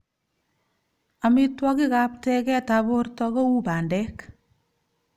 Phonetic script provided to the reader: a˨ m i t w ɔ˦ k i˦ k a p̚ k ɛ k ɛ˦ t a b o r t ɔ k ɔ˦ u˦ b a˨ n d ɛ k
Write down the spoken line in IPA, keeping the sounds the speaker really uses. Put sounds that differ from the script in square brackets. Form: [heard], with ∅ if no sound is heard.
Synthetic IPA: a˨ m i t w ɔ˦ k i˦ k a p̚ [t] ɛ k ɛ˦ t a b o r t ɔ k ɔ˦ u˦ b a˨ n d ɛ k